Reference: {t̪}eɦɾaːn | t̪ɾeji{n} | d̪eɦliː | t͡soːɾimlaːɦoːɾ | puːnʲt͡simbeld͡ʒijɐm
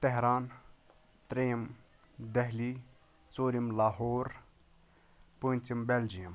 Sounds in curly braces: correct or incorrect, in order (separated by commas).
correct, incorrect